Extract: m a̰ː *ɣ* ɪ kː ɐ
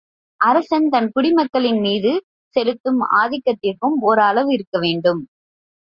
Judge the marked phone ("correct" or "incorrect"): incorrect